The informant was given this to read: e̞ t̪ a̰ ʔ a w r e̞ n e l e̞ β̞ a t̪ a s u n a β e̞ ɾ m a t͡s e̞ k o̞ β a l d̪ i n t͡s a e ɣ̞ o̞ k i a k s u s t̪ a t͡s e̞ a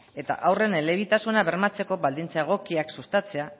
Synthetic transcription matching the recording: e̞ t̪ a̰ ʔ a w r e̞ n e l e̞ β̞ i t̪ a s u n a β e̞ ɾ m a t͡s e̞ k o̞ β a l d̪ i n t͡s a e ɣ̞ o̞ k i a k s u s t̪ a t͡s e̞ a